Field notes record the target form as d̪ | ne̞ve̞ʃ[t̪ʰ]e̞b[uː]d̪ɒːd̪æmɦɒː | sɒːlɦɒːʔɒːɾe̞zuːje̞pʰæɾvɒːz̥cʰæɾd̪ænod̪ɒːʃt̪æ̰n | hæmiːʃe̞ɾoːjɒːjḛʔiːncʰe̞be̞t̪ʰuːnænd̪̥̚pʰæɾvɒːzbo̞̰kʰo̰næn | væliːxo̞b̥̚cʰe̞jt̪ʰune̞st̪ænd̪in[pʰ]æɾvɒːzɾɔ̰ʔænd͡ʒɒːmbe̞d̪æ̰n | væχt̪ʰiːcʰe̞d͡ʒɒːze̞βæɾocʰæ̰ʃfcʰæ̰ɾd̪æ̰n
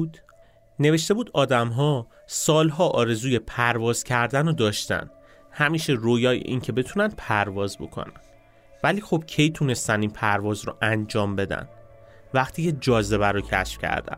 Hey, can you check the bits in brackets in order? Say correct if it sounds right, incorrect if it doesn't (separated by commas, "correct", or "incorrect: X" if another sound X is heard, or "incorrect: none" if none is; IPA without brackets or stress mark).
incorrect: t̪, correct, correct